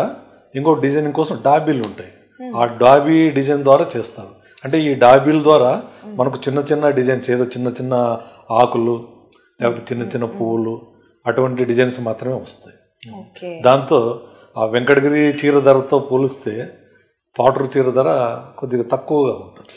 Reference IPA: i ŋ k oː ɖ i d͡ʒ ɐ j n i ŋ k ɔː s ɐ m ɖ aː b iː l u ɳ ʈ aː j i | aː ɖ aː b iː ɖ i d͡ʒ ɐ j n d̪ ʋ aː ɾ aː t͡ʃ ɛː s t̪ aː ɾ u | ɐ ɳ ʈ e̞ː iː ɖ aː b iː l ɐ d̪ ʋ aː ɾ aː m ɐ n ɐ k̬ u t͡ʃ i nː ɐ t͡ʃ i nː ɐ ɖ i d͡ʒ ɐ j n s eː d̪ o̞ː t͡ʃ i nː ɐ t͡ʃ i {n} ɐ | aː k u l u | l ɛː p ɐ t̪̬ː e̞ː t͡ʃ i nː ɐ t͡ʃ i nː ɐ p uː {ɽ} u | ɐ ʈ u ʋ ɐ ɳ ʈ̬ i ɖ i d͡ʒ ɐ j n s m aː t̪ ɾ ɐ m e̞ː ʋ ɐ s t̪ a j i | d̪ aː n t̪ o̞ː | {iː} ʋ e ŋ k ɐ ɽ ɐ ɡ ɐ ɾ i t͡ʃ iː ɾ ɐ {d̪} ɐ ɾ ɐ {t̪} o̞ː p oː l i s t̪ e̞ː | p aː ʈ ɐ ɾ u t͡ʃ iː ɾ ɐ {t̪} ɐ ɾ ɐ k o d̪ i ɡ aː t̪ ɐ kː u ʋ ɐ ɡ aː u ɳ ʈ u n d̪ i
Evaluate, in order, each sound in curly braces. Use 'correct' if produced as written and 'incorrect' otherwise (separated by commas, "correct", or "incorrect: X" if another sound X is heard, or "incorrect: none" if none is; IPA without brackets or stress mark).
incorrect: nː, incorrect: l, incorrect: aː, correct, correct, incorrect: d̪